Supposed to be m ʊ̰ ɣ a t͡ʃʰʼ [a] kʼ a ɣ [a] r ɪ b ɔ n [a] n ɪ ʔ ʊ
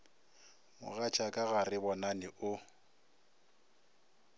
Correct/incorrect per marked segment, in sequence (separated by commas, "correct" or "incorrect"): correct, correct, correct